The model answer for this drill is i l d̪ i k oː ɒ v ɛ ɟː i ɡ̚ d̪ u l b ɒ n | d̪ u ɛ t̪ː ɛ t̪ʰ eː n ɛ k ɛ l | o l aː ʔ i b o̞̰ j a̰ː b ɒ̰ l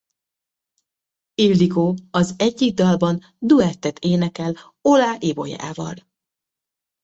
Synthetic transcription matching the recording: i l d̪ i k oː ɒ z ɛ ɟː i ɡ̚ d̪ ɒ l b ɒ n | d̪ u ɛ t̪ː ɛ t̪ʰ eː n ɛ k ɛ l | o l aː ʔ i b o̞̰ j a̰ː v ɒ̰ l